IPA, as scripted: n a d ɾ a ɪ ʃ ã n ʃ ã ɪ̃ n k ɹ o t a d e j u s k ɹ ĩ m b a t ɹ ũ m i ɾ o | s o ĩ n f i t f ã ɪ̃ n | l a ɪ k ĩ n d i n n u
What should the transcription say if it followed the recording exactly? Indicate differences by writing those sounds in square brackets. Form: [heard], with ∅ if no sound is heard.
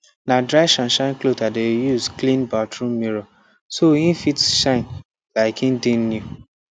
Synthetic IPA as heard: n a d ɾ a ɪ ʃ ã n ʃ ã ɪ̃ n k [l] o t a d e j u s k [l] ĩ [n] b a t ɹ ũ m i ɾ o | s o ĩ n f i t [ʃ] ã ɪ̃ n | l a ɪ k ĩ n d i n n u